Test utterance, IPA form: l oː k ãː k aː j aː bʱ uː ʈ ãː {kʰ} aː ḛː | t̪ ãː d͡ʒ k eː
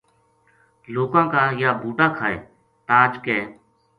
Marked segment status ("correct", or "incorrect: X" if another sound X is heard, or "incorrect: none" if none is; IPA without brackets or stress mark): correct